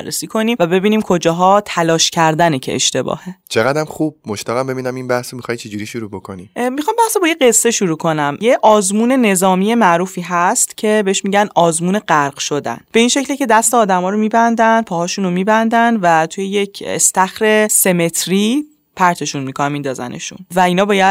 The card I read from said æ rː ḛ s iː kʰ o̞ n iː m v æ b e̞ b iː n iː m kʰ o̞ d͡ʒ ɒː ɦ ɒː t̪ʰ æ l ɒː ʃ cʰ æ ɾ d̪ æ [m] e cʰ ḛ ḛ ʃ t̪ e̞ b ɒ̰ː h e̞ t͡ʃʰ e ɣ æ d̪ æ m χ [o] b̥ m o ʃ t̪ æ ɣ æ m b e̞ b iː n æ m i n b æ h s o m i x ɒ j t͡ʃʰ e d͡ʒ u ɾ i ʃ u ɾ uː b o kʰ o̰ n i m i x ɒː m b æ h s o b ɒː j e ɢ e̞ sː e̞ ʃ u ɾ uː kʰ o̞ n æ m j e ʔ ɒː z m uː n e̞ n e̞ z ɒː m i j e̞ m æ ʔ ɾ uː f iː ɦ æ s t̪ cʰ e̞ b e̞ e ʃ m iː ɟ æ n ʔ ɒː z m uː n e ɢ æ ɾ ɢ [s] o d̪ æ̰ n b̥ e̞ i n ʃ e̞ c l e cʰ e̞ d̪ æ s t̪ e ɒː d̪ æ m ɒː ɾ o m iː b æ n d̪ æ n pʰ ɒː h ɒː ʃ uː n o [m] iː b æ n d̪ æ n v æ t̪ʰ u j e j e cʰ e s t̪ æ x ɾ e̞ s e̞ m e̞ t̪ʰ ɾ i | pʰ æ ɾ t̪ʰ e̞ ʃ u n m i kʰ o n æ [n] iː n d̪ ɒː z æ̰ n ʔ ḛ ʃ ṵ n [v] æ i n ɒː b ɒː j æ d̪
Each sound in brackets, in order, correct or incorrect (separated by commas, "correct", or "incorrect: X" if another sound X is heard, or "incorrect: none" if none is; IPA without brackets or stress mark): incorrect: n, incorrect: u, incorrect: ʃ, correct, incorrect: m, correct